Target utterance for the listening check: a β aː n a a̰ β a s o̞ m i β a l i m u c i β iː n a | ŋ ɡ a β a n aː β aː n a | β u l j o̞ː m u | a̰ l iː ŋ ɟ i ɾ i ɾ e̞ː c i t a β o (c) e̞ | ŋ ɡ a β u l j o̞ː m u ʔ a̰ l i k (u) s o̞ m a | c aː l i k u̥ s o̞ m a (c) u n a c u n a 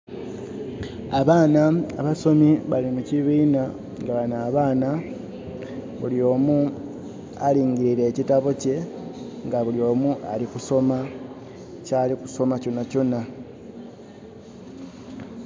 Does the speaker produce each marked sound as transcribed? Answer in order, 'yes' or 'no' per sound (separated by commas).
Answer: yes, yes, yes